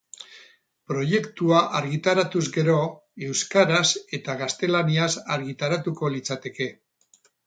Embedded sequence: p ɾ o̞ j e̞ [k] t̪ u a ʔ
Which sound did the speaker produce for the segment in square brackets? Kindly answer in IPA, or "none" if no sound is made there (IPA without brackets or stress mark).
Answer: k